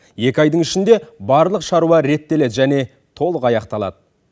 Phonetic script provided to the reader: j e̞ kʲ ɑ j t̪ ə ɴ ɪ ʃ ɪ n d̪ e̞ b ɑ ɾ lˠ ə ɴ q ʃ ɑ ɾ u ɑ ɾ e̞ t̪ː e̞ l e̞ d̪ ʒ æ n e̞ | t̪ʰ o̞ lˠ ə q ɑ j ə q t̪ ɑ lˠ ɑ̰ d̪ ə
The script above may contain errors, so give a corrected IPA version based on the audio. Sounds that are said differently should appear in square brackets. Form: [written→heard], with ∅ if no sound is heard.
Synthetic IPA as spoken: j e̞ kʲ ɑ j [t̪→d̪] ə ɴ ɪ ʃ ɪ n d̪ e̞ b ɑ ɾ lˠ ə [ɴ→∅] q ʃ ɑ ɾ u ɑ ɾ e̞ t̪ː e̞ l e̞ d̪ ʒ æ n e̞ | t̪ʰ o̞ lˠ ə q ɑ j [ə→ɑ] q t̪ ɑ lˠ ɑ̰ d̪ ə